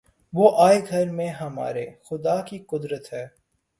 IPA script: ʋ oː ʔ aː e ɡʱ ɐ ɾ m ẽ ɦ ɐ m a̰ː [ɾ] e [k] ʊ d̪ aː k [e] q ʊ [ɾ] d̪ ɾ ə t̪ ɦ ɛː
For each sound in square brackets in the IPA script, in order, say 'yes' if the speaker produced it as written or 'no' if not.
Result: yes, no, no, no

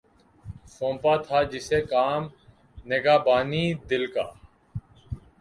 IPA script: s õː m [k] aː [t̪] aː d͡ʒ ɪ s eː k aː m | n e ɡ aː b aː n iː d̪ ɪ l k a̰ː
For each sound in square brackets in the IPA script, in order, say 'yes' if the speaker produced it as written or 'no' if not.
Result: no, no

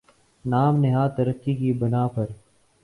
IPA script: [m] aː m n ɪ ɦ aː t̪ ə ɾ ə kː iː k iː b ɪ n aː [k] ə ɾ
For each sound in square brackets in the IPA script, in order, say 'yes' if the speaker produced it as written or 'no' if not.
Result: no, no

